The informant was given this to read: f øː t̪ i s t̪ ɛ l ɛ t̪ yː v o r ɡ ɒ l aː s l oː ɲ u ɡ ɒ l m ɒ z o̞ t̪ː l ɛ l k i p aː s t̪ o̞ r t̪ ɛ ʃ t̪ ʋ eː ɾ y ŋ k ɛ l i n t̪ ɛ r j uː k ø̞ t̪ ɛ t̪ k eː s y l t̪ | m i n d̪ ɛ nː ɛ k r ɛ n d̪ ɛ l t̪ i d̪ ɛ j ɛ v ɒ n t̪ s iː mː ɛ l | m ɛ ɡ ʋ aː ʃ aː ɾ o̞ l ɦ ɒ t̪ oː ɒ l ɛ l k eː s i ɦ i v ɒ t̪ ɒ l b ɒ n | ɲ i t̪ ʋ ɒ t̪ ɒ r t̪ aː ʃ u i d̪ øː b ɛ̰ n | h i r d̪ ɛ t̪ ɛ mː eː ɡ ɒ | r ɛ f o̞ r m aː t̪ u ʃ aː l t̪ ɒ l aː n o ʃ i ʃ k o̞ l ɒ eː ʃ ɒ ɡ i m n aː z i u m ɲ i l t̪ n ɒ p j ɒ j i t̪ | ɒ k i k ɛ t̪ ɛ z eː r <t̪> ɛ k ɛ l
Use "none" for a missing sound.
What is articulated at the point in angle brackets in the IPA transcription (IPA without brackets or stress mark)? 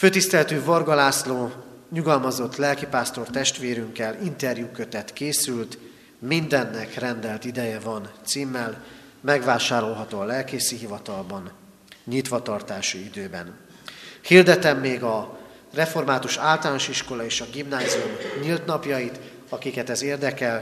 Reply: d̪